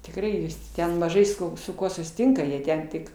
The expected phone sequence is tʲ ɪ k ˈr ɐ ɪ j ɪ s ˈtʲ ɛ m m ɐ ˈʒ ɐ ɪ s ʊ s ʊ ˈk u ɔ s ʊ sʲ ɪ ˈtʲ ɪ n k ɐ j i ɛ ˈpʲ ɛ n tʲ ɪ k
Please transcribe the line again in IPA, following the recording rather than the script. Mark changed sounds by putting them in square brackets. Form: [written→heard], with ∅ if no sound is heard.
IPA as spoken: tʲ ɪ k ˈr ɐ ɪ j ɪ s ˈtʲ ɛ [m→n] m ɐ ˈʒ ɐ ɪ s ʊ s ʊ ˈk u ɔ s ʊ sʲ ɪ ˈtʲ ɪ [n→ŋ] k ɐ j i ɛ [ˈpʲ→ˈtʲ] ɛ n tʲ ɪ k